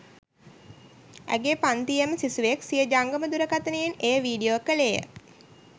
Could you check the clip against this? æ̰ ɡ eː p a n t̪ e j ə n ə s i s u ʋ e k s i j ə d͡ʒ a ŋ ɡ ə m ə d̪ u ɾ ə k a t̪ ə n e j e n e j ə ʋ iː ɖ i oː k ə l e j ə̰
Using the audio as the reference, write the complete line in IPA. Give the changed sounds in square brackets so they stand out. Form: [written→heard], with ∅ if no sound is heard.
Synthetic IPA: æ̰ ɡ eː p a n t̪ [e→i] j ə [n→m] ə s i s u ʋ e k s i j ə d͡ʒ a ŋ ɡ ə m ə d̪ u ɾ ə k a t̪ ə n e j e n e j ə ʋ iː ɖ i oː k ə l e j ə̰